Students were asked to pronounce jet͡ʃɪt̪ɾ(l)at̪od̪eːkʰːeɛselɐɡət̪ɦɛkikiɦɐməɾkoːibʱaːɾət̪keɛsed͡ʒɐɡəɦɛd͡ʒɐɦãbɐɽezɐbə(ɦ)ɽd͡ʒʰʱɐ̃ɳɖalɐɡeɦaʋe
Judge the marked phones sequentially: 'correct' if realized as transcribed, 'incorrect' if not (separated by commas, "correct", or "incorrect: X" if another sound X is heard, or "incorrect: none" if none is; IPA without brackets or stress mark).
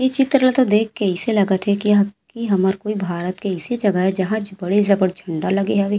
correct, incorrect: none